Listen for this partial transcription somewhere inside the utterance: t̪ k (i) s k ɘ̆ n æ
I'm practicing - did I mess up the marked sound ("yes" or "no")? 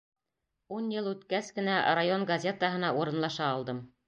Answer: yes